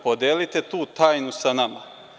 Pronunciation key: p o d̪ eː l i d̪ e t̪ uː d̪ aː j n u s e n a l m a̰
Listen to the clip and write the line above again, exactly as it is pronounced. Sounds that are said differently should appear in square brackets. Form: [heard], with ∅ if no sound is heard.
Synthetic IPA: p o d̪ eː l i [t̪] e t̪ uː [t̪] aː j n u s [a] n a [∅] m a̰